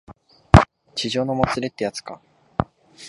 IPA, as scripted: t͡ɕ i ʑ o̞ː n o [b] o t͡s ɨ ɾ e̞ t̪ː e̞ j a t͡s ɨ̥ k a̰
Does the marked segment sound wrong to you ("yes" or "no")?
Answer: yes